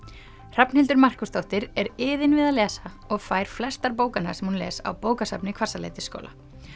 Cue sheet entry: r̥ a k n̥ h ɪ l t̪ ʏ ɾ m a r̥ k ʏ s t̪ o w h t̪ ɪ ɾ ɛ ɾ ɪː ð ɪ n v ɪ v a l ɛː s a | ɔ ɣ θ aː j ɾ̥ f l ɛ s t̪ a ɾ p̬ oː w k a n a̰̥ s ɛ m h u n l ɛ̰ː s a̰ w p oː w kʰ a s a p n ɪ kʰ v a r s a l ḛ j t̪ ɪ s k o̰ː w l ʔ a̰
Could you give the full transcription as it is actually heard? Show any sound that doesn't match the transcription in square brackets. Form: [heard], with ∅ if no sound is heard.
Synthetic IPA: r̥ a [p] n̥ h ɪ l t̪ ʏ ɾ m a r̥ k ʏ s t̪ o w h t̪ ɪ ɾ ɛ ɾ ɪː ð ɪ n v ɪ [ð] a l ɛː s a | ɔ ɣ [f] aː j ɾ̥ f l ɛ s t̪ a ɾ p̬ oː w k a n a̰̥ s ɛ m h u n l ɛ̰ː s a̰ w p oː w [k] a s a p n ɪ kʰ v a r s a l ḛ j t̪ ɪ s k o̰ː w l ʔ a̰